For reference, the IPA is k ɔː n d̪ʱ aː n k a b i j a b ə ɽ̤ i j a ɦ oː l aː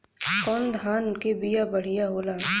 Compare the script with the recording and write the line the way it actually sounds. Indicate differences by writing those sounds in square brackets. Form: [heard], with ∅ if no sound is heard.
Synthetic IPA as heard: k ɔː n d̪ʱ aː n k [e] b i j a b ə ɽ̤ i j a ɦ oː l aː